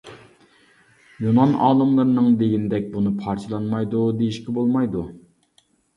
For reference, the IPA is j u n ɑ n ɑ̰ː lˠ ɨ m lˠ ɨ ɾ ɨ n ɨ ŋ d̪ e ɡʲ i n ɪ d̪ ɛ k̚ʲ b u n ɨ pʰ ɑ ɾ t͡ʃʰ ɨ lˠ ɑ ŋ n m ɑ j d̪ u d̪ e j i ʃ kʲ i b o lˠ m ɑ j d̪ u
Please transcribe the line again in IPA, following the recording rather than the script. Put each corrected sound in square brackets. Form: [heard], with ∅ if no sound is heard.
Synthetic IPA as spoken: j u n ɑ n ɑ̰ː lˠ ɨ m lˠ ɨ ɾ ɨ n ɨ ŋ d̪ e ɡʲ i n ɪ d̪ ɛ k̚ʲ b u n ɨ pʰ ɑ ɾ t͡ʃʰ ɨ lˠ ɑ [∅] n m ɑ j d̪ u d̪ e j i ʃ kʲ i b o lˠ m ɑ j d̪ u